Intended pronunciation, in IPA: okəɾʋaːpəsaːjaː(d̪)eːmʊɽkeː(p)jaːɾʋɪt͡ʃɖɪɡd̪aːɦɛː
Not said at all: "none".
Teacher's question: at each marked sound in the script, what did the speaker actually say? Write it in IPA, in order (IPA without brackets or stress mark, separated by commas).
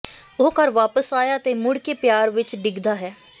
t̪, p